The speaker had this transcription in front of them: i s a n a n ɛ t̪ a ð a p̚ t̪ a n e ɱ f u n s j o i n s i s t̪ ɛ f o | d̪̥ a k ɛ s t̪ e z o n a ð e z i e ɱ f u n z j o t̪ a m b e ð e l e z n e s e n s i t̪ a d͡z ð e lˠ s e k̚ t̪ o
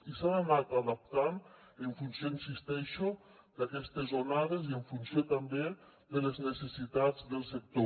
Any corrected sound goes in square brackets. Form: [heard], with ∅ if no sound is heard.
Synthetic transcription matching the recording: i s a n a n [a] t̪ a ð a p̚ t̪ a n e ɱ f u n s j o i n s i s t̪ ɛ [ʃ] o | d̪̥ a k ɛ s t̪ e z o n a ð e z i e ɱ f u n [s] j o t̪ a m b e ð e l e z n e s e [∅] s i t̪ a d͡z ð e lˠ s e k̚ t̪ o